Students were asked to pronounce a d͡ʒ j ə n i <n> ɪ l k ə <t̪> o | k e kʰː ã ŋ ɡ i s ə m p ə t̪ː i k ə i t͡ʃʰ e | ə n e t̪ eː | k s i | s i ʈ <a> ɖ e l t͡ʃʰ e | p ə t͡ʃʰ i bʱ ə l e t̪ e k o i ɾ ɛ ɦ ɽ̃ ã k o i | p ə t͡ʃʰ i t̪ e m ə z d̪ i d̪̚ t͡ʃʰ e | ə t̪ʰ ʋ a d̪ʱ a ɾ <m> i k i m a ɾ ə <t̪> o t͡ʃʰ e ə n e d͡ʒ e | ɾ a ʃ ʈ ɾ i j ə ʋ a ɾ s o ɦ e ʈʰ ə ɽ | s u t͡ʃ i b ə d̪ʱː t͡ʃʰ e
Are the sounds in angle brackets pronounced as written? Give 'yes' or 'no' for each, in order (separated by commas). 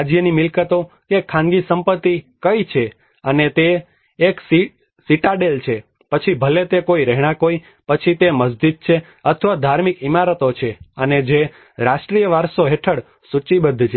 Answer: no, yes, yes, yes, yes